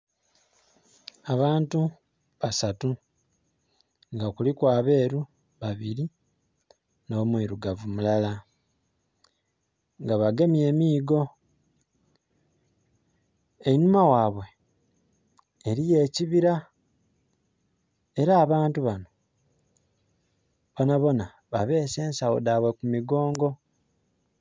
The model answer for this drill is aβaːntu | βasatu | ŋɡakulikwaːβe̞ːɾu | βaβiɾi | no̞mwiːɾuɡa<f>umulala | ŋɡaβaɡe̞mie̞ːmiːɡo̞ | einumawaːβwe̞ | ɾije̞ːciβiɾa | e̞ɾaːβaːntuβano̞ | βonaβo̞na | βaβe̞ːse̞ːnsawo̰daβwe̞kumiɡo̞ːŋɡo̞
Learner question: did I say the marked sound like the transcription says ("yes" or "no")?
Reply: no